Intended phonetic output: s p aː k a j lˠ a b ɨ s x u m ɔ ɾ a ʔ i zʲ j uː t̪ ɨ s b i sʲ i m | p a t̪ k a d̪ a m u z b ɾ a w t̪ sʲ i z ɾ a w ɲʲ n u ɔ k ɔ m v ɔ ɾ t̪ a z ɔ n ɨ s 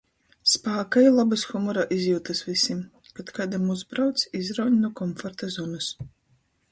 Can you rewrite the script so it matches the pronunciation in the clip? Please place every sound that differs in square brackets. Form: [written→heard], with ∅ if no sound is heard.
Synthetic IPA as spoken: s p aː k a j lˠ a b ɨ s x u m ɔ ɾ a ʔ i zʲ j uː t̪ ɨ s [b→v] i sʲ i m | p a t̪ k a d̪ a m u z b ɾ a w t̪ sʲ i z ɾ a w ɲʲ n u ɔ k ɔ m [v→f] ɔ ɾ t̪ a z ɔ n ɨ s